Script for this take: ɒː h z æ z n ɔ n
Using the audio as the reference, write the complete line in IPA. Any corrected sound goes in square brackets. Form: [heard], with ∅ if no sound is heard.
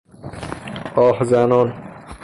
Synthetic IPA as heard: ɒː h z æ [∅] n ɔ n